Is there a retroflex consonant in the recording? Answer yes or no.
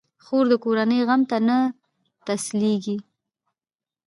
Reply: no